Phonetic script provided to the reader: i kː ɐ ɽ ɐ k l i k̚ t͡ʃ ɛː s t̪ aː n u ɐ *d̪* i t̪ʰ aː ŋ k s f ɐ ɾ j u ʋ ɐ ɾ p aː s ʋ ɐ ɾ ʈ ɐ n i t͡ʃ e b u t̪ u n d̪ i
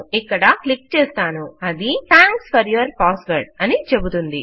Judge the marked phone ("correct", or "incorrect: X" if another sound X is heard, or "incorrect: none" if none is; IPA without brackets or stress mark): correct